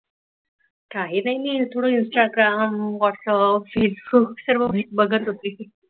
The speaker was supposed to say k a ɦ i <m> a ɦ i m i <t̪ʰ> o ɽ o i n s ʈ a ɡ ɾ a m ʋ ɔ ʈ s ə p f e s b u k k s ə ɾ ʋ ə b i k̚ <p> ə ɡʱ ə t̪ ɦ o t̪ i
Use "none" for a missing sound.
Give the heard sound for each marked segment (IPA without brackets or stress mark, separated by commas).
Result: n, t̪ʰ, b